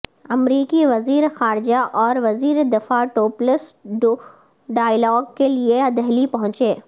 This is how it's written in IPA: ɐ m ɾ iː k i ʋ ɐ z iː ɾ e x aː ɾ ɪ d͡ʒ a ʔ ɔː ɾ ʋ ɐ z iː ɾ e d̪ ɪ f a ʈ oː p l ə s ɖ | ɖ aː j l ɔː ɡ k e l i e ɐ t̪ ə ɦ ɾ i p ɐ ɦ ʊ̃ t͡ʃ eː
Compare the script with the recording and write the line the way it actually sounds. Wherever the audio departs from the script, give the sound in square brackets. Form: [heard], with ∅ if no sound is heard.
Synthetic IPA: ɐ m ɾ iː k i ʋ ɐ z iː ɾ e x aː ɾ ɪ d͡ʒ a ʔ ɔː ɾ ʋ ɐ z iː ɾ e d̪ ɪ f a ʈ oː p l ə s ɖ | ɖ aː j l ɔː ɡ k e l i e ɐ [d̪] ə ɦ [l] i p ɐ ɦ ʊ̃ t͡ʃ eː